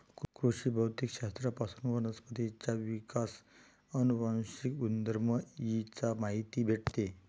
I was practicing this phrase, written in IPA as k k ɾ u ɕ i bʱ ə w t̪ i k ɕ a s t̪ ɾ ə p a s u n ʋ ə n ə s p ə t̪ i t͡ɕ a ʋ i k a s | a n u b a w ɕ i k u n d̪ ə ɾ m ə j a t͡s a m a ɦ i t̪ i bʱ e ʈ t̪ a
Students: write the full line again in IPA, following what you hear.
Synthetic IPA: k k ɾ u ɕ i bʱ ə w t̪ i k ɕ a s t̪ ɾ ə p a s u n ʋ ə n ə s p ə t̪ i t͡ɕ a ʋ i k a s | ə n u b a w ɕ i k u n d̪ ə ɾ m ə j i t͡s a m a ɦ i t̪ i bʱ e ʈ t̪ e